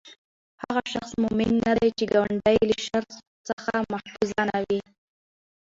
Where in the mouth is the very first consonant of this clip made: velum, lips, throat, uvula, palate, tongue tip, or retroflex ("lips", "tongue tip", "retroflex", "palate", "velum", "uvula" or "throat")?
throat